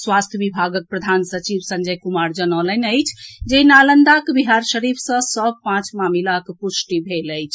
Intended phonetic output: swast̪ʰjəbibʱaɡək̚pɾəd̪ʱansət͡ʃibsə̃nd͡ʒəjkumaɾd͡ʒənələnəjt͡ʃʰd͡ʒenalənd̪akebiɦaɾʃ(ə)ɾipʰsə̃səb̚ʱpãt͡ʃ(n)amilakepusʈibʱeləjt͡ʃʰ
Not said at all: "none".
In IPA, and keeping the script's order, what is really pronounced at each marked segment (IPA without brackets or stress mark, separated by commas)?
ə, m